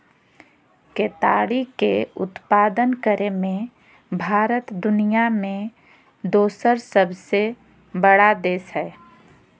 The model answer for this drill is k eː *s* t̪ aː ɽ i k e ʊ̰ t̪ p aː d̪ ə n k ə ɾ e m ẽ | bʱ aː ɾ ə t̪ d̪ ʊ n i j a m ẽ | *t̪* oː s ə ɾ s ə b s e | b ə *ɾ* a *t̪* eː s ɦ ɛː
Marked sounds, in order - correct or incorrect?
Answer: incorrect, incorrect, incorrect, incorrect

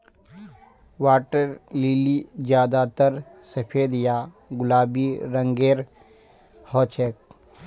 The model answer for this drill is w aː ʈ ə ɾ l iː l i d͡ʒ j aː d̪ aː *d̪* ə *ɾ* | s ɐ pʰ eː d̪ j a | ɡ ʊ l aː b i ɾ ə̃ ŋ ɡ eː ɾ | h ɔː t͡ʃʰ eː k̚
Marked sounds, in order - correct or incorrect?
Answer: incorrect, correct

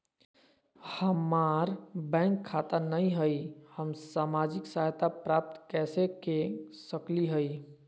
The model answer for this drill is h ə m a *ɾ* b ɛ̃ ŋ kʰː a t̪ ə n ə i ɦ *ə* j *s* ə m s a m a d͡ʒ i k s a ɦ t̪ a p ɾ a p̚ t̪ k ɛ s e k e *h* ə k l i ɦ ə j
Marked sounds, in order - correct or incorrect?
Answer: correct, correct, incorrect, incorrect

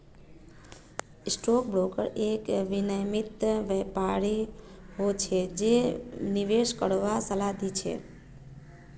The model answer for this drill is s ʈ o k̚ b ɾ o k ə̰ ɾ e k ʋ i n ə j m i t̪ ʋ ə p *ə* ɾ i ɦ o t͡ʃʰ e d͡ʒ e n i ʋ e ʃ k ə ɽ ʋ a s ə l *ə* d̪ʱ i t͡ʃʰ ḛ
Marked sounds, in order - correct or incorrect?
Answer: incorrect, incorrect

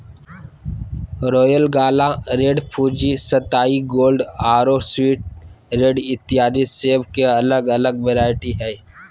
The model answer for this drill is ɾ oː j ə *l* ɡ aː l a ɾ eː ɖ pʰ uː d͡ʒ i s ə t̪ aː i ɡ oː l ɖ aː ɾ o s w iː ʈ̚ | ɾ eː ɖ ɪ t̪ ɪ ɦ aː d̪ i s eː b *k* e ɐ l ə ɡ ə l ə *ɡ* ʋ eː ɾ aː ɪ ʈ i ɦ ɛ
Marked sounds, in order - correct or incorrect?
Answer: correct, correct, correct

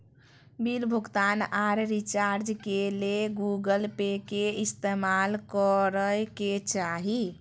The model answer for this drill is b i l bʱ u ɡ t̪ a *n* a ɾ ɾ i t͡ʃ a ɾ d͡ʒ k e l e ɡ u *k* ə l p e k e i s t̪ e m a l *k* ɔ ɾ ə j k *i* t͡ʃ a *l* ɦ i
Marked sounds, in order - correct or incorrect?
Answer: correct, incorrect, correct, incorrect, incorrect

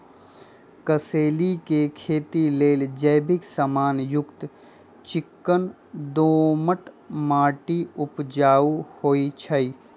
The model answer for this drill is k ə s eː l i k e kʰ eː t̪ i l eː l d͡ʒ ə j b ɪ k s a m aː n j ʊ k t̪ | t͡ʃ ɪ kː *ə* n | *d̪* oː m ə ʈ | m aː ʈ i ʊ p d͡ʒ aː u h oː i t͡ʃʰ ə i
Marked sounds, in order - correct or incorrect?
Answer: correct, correct

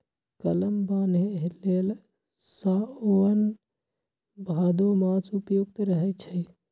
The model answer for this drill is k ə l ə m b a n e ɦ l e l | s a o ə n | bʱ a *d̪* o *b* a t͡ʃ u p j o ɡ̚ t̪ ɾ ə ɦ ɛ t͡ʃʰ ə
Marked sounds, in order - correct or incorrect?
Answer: correct, incorrect

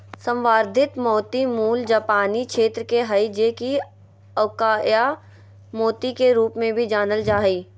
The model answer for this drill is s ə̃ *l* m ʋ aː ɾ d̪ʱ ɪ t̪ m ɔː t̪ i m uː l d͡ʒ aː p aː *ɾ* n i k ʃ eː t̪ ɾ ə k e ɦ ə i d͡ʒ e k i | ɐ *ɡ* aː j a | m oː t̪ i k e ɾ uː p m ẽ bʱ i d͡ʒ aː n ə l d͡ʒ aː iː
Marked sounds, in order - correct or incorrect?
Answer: incorrect, incorrect, incorrect

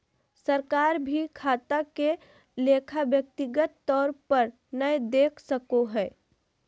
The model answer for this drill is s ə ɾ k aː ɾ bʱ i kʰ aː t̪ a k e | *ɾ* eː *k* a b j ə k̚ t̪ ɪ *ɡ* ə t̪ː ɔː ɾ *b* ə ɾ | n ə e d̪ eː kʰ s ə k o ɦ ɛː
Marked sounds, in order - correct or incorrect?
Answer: incorrect, incorrect, correct, incorrect

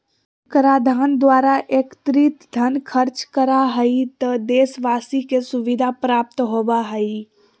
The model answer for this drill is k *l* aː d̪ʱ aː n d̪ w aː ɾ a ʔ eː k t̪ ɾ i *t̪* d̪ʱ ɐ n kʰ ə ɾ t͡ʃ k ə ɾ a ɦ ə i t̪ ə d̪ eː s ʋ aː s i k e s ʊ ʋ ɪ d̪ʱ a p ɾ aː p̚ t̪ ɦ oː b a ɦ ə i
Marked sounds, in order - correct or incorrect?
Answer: incorrect, correct

